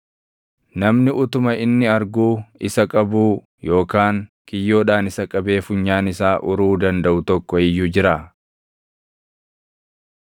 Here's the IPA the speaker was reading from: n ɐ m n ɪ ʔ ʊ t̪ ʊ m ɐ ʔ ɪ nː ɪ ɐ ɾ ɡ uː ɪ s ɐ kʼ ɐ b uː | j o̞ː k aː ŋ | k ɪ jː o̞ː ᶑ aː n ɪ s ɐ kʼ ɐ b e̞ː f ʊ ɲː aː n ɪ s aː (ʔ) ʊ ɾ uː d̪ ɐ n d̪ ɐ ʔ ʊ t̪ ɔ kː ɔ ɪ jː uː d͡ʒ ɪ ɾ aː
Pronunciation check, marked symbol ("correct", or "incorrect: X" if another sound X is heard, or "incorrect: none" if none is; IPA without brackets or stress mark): correct